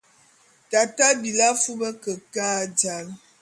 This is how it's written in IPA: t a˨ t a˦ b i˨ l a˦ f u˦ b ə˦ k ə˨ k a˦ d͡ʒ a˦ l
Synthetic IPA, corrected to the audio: t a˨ t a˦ b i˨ l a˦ f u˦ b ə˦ k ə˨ k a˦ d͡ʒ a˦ l